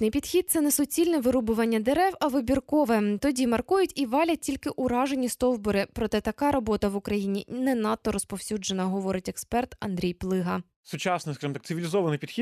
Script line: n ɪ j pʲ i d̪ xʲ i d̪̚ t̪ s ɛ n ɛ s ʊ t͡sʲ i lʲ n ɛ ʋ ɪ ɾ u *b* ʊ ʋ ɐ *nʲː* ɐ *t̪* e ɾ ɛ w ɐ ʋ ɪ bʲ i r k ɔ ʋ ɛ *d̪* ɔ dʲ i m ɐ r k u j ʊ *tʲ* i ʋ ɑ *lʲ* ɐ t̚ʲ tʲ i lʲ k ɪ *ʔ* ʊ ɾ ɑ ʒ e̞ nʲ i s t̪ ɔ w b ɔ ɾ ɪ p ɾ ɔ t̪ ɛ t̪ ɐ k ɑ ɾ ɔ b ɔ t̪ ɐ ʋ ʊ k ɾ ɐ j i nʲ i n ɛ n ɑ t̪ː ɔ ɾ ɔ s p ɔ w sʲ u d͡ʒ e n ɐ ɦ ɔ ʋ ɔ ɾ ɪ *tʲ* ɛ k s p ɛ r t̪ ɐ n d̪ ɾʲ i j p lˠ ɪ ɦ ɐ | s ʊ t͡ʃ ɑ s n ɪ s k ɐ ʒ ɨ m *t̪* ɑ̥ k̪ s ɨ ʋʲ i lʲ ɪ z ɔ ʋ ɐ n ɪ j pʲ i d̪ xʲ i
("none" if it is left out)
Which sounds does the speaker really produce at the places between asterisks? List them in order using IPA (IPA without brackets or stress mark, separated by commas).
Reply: b, nʲː, d̪, t̪, tʲ, lʲ, ʔ, tʲ, t̪